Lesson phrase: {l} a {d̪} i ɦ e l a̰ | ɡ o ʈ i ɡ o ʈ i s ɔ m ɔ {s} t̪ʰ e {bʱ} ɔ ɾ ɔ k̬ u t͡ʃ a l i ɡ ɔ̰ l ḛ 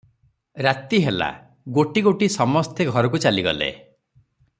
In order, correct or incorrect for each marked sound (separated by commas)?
incorrect, incorrect, correct, incorrect